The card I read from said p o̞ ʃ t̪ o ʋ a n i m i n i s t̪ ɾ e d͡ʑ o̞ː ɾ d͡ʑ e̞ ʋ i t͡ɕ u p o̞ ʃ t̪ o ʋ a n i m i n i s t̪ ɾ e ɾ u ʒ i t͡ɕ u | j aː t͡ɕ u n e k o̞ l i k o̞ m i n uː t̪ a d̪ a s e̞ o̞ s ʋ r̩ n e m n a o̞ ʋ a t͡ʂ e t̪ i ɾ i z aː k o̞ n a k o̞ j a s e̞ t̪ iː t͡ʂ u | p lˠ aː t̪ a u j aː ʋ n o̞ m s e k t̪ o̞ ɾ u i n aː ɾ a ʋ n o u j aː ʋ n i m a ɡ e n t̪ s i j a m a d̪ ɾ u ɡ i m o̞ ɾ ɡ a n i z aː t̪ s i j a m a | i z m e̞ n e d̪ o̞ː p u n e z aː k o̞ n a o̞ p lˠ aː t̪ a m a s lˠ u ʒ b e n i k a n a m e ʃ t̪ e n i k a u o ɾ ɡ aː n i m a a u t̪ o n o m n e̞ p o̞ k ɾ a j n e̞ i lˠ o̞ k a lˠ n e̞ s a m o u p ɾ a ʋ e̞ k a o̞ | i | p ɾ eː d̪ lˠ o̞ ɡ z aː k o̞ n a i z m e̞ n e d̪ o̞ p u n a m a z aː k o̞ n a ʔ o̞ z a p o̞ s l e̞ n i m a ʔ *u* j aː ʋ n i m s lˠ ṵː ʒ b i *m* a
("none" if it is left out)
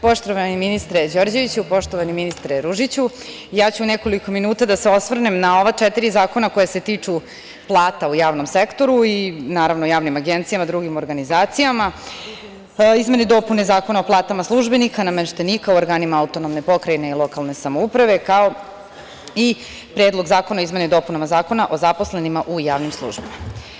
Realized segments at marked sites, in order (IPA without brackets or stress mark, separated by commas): u, m